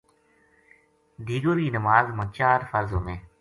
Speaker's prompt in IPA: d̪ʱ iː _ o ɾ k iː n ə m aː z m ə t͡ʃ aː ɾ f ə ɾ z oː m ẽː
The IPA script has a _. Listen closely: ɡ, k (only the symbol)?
ɡ